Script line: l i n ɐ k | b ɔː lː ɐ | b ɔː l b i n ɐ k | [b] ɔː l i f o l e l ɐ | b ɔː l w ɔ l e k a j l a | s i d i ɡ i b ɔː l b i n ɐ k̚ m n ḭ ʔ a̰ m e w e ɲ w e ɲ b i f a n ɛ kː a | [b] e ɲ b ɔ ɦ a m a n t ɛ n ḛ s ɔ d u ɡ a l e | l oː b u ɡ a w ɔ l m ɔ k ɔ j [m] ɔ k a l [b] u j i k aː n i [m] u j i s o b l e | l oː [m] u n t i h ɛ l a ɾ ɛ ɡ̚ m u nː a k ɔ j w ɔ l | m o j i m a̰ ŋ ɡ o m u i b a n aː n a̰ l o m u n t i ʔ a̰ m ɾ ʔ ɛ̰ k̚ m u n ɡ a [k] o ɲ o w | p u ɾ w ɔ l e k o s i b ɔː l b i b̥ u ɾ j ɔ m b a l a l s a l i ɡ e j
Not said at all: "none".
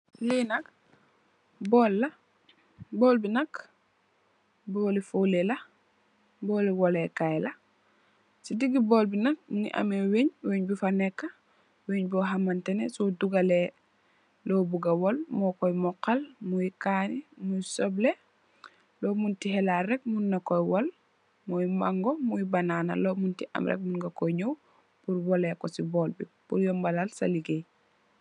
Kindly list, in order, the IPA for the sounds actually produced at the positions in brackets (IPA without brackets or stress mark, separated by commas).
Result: b, w, m, m, m, m, k